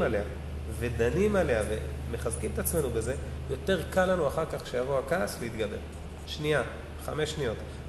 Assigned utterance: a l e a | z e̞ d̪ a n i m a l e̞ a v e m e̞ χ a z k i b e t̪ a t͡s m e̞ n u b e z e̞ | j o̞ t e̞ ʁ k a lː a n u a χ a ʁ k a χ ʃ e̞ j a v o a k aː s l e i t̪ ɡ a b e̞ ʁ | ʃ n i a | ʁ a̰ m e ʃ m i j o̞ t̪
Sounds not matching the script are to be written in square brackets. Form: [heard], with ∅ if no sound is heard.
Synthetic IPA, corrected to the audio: a l e a | [v] e̞ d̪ a n i m a l e̞ a v e m e̞ χ a z k i [m] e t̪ a t͡s m e̞ n u b e z e̞ | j o̞ t e̞ ʁ k a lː a n u a χ a ʁ k a χ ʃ e̞ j a v o a k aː s l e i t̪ ɡ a b e̞ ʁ | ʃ n i a | [χ] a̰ m e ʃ [n] i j o̞ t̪